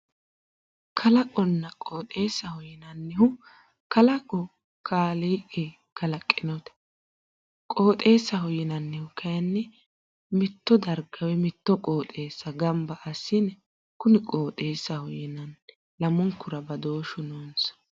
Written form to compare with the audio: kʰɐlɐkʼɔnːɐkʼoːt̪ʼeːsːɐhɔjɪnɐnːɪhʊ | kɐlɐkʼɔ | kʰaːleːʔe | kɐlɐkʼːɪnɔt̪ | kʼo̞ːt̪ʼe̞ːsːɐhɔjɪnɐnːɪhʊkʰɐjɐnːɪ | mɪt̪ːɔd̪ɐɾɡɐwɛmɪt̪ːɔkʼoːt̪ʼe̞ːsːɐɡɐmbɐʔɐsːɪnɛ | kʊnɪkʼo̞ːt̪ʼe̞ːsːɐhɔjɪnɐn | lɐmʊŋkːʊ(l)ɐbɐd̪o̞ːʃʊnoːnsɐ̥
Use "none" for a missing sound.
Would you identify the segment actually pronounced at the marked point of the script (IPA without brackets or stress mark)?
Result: ɾ